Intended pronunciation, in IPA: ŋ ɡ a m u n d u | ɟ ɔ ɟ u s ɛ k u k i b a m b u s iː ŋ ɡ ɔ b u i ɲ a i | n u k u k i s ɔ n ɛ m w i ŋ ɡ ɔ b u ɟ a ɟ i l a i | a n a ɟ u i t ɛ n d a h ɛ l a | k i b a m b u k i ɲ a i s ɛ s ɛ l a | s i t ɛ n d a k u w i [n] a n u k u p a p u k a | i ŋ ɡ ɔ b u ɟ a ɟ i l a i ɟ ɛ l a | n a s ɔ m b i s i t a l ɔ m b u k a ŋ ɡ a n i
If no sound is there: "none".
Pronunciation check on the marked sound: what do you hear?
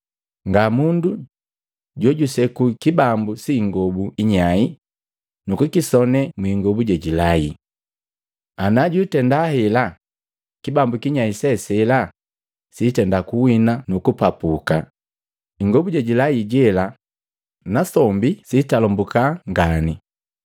n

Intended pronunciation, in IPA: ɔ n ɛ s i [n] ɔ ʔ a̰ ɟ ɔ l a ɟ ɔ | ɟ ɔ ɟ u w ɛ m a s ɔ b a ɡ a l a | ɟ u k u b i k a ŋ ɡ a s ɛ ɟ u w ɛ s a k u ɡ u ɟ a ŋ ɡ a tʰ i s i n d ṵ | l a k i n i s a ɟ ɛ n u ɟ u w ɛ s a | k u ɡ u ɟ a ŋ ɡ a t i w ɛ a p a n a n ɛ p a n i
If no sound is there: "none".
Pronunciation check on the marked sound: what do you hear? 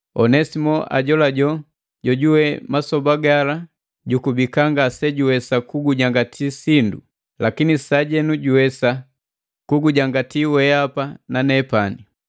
m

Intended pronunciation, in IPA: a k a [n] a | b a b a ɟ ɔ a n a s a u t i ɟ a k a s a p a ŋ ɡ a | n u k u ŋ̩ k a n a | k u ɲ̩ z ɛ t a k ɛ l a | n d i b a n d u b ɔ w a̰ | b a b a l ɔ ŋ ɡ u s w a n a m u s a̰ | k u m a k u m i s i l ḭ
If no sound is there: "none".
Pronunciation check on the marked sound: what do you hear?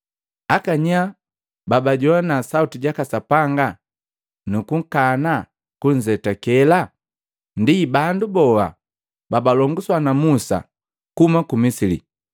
ɲ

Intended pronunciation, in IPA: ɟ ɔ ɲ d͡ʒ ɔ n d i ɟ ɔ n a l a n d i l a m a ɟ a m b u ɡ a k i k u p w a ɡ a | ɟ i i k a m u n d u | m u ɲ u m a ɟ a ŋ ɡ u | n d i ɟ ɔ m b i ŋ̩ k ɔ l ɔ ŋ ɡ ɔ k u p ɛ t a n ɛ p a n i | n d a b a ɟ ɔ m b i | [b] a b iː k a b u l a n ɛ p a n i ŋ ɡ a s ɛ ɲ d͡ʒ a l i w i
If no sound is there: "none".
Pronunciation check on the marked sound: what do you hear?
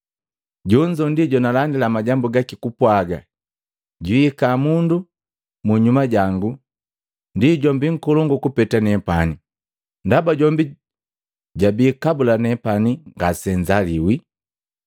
ɟ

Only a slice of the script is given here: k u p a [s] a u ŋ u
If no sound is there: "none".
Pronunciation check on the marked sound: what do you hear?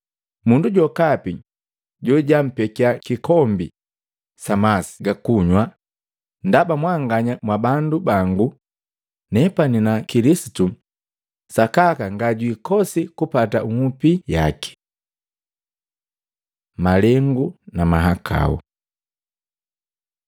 t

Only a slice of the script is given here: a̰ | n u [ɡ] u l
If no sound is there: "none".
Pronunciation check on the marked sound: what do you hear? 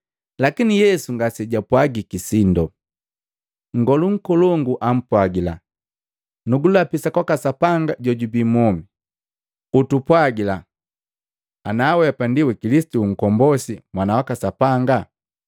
ɡ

